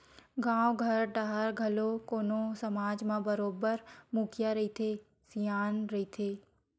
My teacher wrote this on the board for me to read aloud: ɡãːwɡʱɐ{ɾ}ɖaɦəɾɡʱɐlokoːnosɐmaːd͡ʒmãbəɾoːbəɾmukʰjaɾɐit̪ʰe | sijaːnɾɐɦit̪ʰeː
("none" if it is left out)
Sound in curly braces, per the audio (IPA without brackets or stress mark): ɾ